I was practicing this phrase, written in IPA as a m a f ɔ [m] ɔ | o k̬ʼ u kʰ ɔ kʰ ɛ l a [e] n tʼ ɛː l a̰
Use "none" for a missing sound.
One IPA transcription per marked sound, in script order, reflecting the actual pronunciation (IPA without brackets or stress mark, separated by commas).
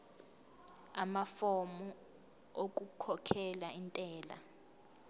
m, i